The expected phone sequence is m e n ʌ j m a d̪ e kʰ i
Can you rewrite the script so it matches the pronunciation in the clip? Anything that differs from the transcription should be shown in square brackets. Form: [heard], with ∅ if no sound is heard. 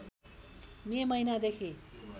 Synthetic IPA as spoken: m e [m] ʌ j [n] a d̪ e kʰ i